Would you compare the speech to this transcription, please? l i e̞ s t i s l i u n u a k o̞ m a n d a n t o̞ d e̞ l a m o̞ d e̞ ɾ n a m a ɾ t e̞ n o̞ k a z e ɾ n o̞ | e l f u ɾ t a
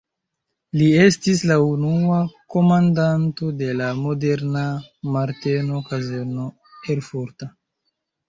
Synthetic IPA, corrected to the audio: l i e̞ s t i s l a u n u a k o̞ m a n d a n t o̞ d e̞ l a m o̞ d e̞ ɾ n a m a ɾ t e̞ n o̞ k a z e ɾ n o̞ | e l f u ɾ t a